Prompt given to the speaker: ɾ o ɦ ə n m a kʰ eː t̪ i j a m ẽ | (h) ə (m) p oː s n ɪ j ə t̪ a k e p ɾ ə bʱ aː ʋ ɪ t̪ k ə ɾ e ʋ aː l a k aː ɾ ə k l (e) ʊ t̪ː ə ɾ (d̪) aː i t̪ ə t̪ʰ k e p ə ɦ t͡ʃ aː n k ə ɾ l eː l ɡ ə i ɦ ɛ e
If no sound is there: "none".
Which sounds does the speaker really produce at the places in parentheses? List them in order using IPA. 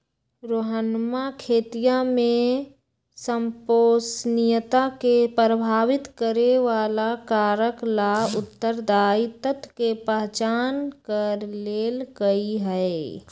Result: s, m, a, d̪

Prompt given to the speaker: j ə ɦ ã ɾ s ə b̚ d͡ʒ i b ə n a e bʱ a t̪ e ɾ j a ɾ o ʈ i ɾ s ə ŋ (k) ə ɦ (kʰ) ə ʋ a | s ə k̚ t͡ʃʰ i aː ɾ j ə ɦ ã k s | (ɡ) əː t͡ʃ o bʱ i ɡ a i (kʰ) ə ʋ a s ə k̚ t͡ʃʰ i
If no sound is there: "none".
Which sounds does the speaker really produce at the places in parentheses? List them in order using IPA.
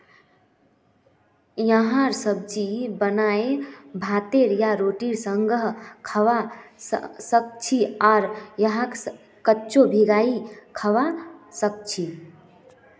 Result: ɡ, kʰ, k, kʰ

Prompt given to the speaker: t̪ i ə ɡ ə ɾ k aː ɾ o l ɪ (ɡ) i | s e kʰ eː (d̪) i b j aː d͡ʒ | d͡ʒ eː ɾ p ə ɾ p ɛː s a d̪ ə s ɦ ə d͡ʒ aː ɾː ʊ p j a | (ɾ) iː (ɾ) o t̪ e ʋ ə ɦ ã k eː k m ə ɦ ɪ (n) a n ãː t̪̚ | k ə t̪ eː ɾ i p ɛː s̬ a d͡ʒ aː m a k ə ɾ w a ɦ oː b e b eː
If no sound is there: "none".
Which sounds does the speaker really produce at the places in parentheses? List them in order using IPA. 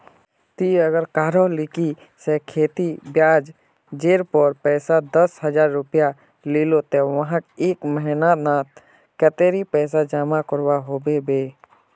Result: k, t̪, l, l, n

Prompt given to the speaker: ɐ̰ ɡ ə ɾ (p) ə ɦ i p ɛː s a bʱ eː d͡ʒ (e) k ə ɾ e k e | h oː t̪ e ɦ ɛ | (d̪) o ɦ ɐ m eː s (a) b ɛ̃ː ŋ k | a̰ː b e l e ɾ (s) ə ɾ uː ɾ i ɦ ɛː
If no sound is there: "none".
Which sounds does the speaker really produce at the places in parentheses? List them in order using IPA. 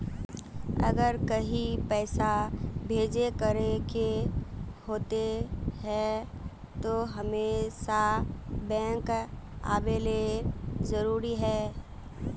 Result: k, e, t̪, a, z

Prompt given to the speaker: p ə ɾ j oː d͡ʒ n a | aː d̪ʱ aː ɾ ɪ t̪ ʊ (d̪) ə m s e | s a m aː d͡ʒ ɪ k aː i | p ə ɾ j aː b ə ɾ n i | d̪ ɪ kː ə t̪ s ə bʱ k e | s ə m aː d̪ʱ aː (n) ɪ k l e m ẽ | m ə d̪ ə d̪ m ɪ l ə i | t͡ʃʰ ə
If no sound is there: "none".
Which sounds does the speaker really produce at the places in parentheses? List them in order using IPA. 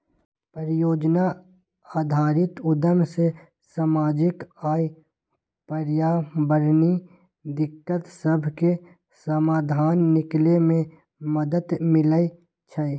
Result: d̪, nː

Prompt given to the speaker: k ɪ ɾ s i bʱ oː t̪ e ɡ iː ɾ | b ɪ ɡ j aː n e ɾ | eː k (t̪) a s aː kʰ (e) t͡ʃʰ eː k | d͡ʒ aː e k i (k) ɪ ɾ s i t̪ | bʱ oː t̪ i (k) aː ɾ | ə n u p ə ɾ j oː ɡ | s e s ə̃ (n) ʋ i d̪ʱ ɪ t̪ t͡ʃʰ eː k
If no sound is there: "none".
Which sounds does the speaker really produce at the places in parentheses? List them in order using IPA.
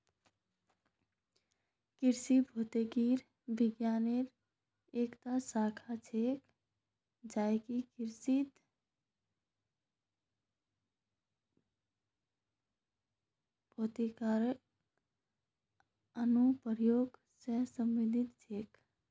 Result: t̪, a, k, k, m

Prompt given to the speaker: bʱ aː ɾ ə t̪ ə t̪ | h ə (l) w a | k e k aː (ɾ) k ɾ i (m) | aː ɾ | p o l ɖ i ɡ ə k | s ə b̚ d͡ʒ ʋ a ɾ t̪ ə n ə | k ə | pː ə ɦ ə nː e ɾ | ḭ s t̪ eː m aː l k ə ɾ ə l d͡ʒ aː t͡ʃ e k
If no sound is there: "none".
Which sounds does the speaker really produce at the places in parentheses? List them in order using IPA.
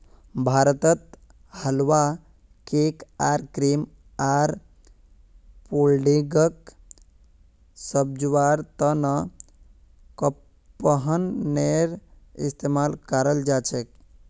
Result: l, ɾ, m

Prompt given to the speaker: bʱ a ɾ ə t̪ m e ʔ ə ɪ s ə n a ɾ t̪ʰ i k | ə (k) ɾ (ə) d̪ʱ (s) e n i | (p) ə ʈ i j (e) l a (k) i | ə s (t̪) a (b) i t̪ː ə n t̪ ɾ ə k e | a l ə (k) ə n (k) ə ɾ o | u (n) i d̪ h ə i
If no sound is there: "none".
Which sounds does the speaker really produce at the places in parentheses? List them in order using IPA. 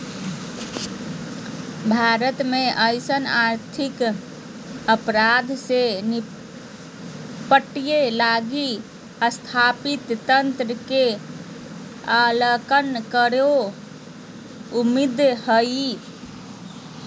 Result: p, a, s, p, e, ɡ, t̪ʰ, p, k, k, m

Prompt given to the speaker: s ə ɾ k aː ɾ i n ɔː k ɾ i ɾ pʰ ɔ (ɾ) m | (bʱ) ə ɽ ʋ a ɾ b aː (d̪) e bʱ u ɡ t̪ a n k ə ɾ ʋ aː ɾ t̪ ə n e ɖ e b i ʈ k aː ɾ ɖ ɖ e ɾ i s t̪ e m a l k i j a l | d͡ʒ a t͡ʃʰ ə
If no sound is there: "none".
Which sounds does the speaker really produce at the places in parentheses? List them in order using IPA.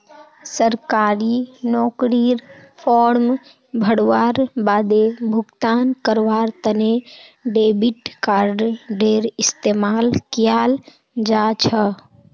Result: ɾ, bʱ, d̪

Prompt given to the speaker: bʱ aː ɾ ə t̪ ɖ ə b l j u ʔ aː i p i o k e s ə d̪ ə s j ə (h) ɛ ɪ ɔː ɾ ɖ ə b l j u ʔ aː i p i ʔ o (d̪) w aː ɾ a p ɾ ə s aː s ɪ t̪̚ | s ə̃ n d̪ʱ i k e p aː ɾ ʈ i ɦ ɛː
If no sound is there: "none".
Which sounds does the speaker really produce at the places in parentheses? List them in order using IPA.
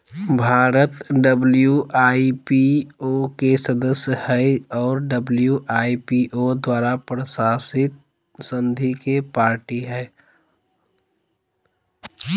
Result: h, d̪

